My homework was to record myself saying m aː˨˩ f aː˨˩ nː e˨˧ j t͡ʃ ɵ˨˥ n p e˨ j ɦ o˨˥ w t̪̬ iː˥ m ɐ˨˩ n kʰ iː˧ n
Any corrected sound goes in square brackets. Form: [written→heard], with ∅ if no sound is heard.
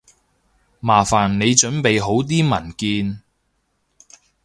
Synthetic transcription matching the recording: m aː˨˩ f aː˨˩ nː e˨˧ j t͡ʃ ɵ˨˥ n p e˨ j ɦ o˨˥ w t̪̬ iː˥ m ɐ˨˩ n [kʰ→k] iː˧ n